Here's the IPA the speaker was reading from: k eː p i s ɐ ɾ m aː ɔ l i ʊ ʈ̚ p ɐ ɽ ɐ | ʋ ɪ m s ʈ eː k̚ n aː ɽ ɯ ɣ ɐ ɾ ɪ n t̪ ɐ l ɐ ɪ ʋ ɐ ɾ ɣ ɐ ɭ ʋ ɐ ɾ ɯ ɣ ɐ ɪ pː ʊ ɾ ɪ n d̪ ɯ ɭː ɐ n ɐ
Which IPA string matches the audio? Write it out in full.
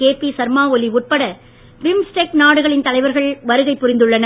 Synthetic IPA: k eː p i s ɐ ɾ m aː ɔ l i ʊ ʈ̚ p ɐ ɽ ɐ | ʋ ɪ m s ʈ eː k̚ n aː ɽ ɯ ɣ ɐ ɭ ɪ n t̪ ɐ l ɐ ɪ ʋ ɐ ɾ ɣ ɐ ɭ ʋ ɐ ɾ ɯ ɣ ɐ ɪ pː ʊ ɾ ɪ n d̪ ɯ ɭː ɐ n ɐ